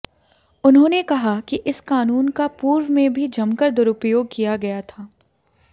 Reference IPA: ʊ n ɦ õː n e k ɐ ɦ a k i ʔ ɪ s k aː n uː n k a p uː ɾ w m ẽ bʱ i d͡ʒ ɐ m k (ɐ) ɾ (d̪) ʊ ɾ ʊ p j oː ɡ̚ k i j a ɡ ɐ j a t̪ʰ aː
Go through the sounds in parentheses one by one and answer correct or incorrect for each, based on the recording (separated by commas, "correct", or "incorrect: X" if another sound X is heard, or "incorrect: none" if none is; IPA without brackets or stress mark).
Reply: incorrect: ə, correct